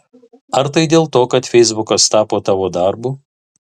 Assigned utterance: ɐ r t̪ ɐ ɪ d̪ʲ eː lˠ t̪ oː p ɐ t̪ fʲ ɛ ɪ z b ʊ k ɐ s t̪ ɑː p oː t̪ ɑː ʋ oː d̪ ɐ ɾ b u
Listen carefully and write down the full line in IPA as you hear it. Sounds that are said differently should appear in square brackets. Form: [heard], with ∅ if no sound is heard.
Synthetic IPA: ɐ [ɾ] t̪ ɐ ɪ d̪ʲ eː lˠ t̪ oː [k] ɐ t̪ fʲ ɛ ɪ z b ʊ k ɐ s t̪ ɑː p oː t̪ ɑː ʋ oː d̪ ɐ ɾ b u